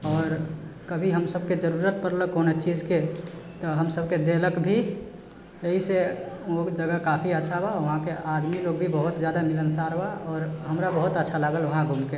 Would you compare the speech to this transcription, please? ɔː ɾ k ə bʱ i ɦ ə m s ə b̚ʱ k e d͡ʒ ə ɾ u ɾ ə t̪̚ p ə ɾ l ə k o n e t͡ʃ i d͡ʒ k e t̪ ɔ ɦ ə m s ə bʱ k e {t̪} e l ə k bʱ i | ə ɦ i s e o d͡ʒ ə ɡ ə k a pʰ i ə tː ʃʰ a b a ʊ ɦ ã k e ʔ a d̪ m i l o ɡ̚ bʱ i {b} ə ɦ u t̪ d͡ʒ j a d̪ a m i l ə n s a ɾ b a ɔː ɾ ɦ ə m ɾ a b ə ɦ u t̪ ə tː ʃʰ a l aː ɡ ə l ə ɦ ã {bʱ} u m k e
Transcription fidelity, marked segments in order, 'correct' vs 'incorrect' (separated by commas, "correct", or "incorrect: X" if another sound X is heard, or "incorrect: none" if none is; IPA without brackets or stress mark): incorrect: d̪, correct, incorrect: ɡʱ